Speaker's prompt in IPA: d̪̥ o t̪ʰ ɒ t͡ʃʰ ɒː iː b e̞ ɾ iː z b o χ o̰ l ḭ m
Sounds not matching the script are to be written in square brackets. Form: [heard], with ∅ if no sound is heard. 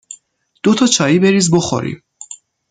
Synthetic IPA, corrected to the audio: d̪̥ o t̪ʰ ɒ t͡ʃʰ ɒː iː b e̞ ɾ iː z b o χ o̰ [ɾ] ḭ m